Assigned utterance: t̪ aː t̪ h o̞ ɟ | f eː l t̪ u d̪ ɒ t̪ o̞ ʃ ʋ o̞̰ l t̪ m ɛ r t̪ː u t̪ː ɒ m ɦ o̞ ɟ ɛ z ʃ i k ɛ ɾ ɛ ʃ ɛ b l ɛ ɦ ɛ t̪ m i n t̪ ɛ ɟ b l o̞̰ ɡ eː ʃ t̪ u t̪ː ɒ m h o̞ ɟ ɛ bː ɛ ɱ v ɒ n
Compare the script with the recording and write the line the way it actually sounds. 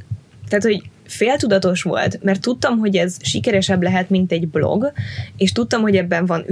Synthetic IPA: t̪ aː t̪ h o̞ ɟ | f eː l t̪ u d̪ ɒ t̪ o̞ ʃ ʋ o̞̰ l t̪ m ɛ r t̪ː u t̪ː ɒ m ɦ o̞ ɟ ɛ z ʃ i k ɛ ɾ ɛ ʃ ɛ b l ɛ ɦ ɛ t̪ m i n t̪ ɛ ɟ b l o̞̰ ɡ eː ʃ t̪ u t̪ː ɒ m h o̞ ɟ ɛ bː ɛ ɱ v ɒ n